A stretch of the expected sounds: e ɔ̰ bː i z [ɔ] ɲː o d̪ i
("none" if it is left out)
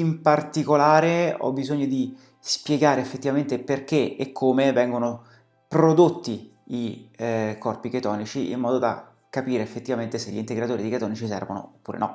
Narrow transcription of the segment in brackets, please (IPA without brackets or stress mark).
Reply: o